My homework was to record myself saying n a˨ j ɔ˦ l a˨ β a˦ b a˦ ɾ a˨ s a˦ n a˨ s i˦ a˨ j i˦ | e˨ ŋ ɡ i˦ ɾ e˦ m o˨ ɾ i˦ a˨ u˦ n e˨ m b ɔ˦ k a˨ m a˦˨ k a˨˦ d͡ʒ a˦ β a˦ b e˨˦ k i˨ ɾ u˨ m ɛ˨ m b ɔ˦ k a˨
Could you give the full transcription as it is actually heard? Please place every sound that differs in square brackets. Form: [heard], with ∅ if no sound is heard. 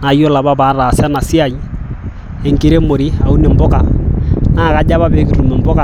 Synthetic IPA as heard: n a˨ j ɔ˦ l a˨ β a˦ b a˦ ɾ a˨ s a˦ n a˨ s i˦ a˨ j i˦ | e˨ ŋ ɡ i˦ ɾ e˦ m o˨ ɾ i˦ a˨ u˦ n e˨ m b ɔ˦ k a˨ [n] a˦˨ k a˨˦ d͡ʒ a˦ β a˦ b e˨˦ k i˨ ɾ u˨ m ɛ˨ m b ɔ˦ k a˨